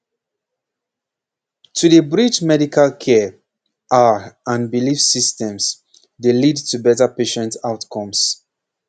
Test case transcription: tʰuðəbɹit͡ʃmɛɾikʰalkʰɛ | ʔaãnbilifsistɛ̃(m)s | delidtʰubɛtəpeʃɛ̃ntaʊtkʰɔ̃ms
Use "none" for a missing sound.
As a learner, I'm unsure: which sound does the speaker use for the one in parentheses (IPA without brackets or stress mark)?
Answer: m